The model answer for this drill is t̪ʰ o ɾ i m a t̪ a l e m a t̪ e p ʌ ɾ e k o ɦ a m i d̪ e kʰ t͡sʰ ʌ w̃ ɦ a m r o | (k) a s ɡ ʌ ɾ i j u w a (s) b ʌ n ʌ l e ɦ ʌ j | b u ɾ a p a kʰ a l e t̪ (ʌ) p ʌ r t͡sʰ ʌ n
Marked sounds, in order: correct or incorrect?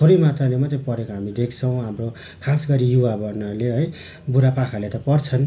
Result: incorrect: kʰ, incorrect: none, correct

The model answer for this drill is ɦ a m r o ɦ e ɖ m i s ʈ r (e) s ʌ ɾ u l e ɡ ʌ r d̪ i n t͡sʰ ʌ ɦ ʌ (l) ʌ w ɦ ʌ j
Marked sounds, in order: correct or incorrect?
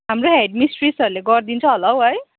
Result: incorrect: i, correct

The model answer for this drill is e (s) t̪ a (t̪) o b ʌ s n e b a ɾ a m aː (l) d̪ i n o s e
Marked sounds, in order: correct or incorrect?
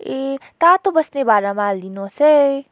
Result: incorrect: none, correct, correct

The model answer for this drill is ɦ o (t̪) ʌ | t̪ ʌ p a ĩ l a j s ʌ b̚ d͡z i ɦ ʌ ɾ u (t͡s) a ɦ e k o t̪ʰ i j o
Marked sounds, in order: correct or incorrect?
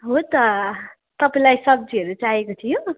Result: correct, correct

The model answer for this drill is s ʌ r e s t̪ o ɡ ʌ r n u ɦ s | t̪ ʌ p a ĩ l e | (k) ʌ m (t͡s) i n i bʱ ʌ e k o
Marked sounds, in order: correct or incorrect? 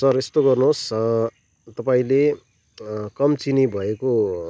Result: correct, correct

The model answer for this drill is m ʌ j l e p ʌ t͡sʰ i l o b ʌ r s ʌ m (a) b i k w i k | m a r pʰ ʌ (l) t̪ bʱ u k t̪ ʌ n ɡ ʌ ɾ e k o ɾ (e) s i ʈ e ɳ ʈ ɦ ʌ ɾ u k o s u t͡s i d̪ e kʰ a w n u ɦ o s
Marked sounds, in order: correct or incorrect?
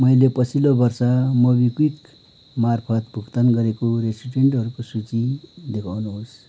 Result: incorrect: ʌ, incorrect: none, correct

